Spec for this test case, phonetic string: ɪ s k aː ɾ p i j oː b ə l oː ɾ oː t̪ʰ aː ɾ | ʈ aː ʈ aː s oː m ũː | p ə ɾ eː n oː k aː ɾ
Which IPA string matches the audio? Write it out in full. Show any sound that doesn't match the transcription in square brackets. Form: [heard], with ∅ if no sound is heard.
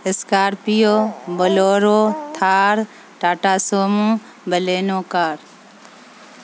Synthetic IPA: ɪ s k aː ɾ p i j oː b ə l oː ɾ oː t̪ʰ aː ɾ | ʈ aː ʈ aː s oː m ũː | [b] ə [l] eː n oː k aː ɾ